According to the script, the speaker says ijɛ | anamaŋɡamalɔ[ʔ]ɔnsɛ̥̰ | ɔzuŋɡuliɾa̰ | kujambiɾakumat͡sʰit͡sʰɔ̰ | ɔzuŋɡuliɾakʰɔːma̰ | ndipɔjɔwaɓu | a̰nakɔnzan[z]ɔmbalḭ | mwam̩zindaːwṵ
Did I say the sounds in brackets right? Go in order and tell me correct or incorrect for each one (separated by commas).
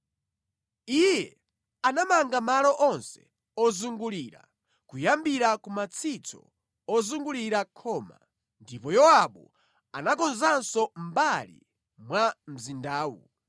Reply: correct, incorrect